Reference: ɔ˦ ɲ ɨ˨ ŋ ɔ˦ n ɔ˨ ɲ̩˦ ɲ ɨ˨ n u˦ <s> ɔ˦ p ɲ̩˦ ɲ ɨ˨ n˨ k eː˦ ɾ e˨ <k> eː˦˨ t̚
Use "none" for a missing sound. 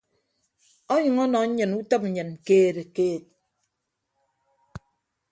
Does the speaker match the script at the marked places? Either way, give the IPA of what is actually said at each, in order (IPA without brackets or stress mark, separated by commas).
t, k